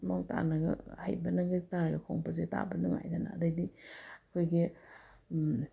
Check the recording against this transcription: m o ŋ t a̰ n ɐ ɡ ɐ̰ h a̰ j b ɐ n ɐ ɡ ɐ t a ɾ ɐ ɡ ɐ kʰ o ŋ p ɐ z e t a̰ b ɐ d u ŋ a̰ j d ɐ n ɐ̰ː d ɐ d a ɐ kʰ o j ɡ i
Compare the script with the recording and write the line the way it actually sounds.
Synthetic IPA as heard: m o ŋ t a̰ n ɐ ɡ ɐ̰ h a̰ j b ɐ n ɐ ɡ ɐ t a ɾ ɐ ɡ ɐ kʰ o ŋ p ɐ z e t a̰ b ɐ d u ŋ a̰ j d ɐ n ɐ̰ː d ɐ d i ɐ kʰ o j ɡ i